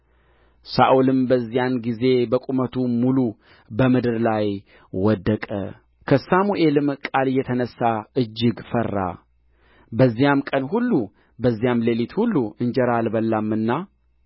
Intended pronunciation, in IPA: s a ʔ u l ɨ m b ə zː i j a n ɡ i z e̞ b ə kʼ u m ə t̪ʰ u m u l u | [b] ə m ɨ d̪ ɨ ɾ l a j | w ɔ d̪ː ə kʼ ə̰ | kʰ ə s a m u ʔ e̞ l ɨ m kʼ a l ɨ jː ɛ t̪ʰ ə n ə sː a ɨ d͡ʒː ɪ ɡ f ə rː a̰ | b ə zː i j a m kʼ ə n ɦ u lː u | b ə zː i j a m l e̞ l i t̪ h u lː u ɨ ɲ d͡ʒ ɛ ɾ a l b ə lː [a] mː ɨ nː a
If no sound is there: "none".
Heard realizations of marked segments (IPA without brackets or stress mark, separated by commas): b, a